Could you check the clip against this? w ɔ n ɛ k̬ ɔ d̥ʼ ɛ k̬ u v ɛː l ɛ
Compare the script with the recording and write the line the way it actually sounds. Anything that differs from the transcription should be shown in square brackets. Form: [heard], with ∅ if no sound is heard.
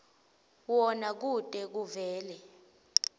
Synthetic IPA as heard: w ɔ n [a] k̬ [u] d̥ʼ ɛ k̬ u v ɛː l ɛ